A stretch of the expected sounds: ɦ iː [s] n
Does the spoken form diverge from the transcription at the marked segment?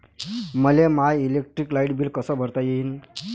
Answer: yes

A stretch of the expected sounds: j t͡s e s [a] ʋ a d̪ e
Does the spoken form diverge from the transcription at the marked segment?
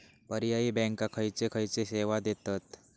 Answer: yes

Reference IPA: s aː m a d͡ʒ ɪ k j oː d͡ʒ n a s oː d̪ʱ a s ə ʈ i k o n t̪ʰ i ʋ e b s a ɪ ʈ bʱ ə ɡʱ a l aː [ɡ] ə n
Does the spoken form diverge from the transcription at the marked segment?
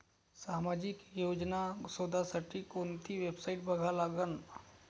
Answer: no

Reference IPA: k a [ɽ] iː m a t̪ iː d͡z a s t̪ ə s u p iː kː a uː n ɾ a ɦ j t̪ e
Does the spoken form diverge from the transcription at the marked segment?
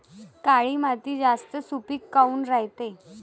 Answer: yes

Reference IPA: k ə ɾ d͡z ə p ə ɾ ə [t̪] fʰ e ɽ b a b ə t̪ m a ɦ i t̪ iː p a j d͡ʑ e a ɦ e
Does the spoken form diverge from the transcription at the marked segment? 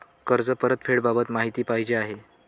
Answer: no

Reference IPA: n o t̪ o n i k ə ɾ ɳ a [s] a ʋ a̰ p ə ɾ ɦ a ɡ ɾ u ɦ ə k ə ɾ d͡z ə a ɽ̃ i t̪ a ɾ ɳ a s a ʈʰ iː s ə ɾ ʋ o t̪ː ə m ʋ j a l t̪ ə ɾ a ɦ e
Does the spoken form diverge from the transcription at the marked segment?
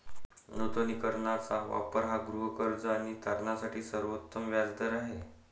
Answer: yes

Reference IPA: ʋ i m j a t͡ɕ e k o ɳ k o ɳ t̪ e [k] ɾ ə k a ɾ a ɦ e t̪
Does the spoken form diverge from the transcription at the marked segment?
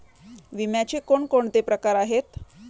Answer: yes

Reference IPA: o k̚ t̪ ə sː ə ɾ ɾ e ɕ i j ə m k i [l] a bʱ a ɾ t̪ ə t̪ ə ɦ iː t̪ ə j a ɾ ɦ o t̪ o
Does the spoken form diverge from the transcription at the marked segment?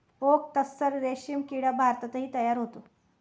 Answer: yes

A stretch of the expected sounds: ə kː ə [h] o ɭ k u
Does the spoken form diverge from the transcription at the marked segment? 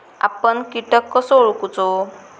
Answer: yes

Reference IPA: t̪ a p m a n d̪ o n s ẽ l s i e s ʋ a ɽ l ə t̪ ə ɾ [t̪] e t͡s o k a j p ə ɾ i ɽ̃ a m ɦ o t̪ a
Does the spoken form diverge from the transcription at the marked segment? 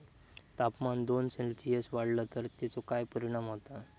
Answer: no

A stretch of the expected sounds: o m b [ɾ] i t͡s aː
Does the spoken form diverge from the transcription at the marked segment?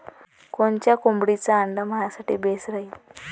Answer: yes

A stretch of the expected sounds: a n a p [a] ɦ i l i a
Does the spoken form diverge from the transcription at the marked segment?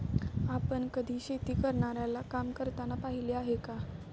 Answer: no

